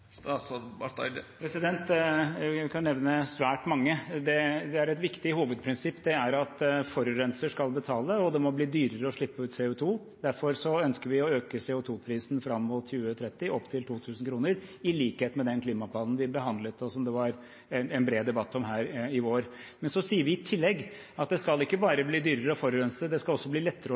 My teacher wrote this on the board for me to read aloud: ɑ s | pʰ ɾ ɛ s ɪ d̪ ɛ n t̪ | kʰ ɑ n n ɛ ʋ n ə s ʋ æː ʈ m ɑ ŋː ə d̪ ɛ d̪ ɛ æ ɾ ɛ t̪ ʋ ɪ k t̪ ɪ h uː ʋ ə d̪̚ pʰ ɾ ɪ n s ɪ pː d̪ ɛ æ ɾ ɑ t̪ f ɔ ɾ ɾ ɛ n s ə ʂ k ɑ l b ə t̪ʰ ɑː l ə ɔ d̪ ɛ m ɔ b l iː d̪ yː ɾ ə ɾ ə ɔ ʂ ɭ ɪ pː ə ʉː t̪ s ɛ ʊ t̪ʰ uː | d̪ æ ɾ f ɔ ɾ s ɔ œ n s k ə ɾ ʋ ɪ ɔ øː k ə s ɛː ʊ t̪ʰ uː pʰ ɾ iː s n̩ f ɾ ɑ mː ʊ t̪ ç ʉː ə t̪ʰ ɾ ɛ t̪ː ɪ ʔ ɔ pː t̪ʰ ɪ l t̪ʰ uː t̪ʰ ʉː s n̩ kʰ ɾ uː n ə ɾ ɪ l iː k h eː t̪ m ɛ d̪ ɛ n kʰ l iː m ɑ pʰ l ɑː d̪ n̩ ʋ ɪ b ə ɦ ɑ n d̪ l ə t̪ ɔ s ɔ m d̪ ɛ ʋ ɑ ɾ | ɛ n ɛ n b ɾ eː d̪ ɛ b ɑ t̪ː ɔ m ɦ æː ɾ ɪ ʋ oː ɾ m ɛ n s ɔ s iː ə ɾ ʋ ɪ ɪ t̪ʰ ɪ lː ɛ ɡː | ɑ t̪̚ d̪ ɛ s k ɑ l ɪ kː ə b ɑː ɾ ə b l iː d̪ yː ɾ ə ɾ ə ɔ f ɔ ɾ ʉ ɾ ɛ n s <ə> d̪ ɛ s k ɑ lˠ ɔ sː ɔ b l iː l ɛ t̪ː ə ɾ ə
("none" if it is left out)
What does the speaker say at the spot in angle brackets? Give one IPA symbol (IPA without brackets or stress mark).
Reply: ə